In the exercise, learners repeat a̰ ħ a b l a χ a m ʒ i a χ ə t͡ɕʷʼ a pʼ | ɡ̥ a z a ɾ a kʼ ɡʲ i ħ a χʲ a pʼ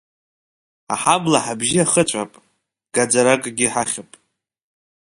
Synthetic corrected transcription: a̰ ħ a b l a ħ a b ʒ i a χ ə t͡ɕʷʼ a pʼ | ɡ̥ a d͡z a ɾ a kʼ ɡʲ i ħ a χʲ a pʼ